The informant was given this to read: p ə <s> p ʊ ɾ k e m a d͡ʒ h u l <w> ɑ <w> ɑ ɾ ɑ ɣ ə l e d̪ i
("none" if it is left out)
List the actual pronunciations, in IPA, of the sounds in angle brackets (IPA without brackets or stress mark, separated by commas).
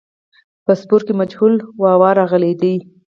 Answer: s, w, w